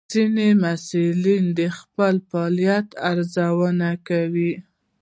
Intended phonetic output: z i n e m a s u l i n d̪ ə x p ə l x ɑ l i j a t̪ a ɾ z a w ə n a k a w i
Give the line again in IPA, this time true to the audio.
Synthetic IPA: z i n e m a s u l i n d̪ ə x p ə l f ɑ l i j a t̪ a ɾ z a w ə n a k a w i